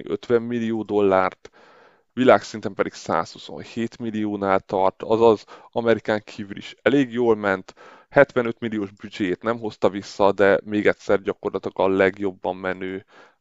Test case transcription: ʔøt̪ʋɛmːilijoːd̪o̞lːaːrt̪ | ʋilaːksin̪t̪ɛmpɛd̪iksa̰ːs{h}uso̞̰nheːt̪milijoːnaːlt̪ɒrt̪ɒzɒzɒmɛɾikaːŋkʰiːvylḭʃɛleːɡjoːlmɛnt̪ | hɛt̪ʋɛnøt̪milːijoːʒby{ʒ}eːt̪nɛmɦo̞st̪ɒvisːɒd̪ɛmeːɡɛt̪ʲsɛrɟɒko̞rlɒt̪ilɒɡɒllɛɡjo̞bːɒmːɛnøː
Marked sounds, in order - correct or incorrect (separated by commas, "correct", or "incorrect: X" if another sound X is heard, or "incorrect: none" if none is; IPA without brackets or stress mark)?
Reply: correct, incorrect: d͡ʒ